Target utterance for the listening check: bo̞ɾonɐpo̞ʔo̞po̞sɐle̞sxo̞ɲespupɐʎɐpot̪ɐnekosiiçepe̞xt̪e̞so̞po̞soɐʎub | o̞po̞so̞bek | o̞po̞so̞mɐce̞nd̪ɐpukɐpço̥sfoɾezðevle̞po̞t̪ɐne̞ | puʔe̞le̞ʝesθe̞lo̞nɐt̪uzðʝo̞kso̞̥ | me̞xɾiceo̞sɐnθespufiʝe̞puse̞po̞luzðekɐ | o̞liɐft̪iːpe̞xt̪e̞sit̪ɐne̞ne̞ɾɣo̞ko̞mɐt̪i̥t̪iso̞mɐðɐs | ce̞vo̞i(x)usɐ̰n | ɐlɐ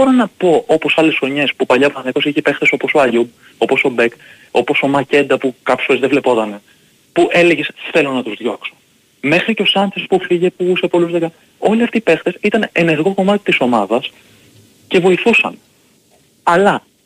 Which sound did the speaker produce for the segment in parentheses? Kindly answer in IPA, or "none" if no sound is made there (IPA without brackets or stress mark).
θ